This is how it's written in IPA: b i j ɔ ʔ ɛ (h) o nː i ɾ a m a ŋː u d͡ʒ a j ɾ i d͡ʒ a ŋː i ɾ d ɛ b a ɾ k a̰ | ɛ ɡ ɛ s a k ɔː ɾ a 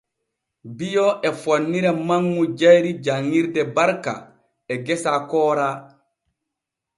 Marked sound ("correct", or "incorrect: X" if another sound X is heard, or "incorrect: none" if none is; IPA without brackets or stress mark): incorrect: f